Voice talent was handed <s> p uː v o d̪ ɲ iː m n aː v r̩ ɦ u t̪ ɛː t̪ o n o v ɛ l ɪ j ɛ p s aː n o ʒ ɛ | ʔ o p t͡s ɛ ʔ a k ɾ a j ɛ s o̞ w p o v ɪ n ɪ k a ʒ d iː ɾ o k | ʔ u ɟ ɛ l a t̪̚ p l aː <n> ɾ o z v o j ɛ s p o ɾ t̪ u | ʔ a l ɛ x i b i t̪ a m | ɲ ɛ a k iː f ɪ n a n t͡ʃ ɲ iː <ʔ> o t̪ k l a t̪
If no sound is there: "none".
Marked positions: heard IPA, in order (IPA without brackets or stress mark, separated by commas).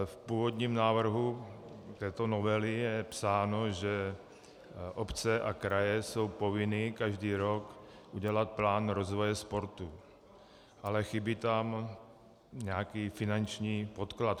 f, n, p